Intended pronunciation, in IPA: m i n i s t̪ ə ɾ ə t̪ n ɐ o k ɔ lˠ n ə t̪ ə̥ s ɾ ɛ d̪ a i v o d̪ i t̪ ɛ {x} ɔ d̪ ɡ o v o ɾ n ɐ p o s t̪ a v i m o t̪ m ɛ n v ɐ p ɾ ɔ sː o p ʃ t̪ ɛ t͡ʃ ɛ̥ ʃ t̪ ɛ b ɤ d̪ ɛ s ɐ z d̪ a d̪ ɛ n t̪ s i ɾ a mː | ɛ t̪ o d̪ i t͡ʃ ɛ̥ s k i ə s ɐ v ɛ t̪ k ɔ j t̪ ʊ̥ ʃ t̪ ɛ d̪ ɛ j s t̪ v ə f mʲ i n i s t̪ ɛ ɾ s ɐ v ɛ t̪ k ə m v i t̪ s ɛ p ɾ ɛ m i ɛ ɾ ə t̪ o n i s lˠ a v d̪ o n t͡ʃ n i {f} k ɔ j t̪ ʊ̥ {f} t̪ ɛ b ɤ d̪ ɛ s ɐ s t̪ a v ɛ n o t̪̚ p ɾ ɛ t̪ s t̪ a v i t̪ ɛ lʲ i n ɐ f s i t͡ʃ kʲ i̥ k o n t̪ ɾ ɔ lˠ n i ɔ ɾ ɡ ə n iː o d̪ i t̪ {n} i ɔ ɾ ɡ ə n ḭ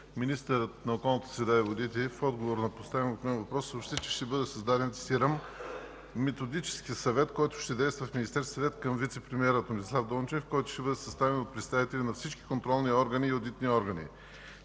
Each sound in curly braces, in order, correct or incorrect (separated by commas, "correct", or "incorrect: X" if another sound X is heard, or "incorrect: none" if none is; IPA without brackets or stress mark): incorrect: f, correct, incorrect: ʃ, correct